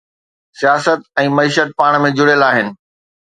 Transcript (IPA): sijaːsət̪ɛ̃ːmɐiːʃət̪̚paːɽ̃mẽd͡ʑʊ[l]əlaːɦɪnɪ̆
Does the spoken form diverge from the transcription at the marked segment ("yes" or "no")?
yes